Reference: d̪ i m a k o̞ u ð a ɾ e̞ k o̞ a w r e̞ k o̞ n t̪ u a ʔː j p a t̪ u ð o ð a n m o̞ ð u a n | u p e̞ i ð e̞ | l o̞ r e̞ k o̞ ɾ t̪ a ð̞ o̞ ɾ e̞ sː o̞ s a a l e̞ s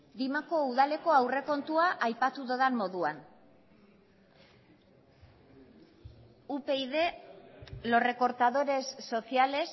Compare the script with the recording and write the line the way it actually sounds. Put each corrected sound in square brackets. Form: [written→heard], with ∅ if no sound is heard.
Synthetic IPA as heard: d̪ i m a k o̞ u ð a [ɾ→l] e̞ k o̞ a w r e̞ k o̞ n t̪ u a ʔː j p a t̪ u ð o ð a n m o̞ ð u a n | u p e̞ i ð e̞ | l o̞ r e̞ k o̞ ɾ t̪ a ð̞ o̞ ɾ e̞ sː o̞ s [a→i] a l e̞ s